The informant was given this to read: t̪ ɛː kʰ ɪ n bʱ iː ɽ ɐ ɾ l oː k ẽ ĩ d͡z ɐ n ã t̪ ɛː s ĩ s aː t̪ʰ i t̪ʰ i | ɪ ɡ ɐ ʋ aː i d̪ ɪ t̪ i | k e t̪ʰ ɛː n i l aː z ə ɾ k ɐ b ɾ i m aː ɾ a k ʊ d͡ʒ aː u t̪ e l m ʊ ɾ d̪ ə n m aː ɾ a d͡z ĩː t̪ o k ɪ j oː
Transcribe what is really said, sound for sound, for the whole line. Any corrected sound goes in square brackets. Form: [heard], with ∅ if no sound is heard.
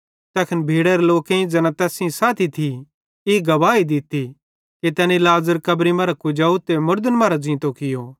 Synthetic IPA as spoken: t̪ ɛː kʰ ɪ n bʱ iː ɽ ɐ ɾ l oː k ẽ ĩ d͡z ɐ n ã t̪ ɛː s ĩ s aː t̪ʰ i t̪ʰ i | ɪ ɡ ɐ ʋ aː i d̪ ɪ t̪ i | k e [t̪] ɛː n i l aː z ə ɾ k ɐ b ɾ i m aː ɾ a k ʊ d͡ʒ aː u t̪ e [∅] m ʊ ɾ d̪ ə n m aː ɾ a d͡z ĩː t̪ o k ɪ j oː